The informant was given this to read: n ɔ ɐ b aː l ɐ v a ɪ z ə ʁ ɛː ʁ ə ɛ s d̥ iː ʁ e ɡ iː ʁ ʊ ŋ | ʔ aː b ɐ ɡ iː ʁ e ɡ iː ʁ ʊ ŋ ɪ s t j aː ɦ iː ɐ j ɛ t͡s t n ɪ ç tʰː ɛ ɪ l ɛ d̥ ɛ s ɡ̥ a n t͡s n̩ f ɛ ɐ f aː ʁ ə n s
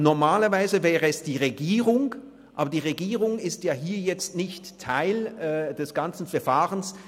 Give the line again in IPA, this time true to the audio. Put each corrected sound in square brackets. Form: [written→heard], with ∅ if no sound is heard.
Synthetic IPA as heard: n ɔ ɐ [b→m] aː l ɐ v a ɪ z ə [ʁ→v] ɛː ʁ ə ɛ s d̥ iː ʁ e ɡ iː ʁ ʊ ŋ | ʔ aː b ɐ [ɡ→d] iː ʁ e ɡ iː ʁ ʊ ŋ ɪ s t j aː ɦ iː ɐ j ɛ t͡s t n ɪ ç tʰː [ɛ→a] ɪ l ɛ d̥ ɛ s ɡ̥ a n t͡s n̩ f ɛ ɐ f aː ʁ ə n s